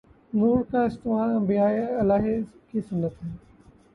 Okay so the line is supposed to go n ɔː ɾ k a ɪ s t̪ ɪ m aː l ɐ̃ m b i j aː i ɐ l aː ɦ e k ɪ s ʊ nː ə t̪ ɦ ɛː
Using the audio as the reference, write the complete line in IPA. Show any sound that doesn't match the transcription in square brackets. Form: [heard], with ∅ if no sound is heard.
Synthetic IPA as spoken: n [uː] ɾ k a ɪ s t̪ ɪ m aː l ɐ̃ m b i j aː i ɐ l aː ɦ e k [i] s ʊ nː ə t̪ ɦ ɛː